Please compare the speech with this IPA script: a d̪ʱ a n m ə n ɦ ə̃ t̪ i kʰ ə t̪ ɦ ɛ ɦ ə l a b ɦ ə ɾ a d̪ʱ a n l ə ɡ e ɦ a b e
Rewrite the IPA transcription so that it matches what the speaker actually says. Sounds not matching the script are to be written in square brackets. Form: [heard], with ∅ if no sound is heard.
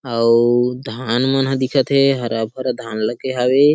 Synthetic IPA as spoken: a d̪ʱ a n m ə n ɦ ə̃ [d̪] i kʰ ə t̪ ɦ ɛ ɦ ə [ɾ] a b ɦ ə ɾ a d̪ʱ a n l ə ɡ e ɦ a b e